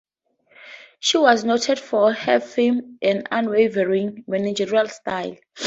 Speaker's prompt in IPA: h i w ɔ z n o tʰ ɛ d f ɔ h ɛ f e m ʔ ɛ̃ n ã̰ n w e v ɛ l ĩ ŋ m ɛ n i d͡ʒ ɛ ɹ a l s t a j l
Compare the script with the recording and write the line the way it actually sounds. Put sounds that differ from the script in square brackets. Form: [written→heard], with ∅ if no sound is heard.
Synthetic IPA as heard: [h→ʃ] i w ɔ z n o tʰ ɛ d f ɔ h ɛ f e m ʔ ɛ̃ n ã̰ n w e v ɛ [l→ɹ] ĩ ŋ m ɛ n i d͡ʒ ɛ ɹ a l s t a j l